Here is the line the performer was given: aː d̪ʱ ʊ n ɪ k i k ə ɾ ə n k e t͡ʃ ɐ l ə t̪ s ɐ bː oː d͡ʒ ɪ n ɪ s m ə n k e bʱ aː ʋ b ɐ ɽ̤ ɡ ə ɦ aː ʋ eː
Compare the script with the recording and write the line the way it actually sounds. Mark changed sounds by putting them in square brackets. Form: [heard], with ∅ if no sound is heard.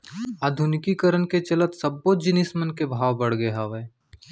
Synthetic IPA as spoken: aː d̪ʱ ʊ n ɪ k i k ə ɾ ə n k e t͡ʃ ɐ l ə t̪ s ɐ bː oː d͡ʒ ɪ n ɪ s m ə n k e bʱ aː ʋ b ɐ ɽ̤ ɡ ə ɦ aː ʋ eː